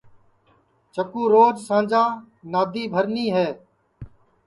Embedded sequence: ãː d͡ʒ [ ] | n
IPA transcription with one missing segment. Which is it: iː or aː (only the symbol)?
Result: aː